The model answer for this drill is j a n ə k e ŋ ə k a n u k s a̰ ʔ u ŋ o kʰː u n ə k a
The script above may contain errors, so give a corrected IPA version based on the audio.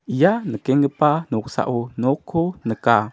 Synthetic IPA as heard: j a n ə k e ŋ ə p a n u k s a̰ ʔ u n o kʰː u n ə k a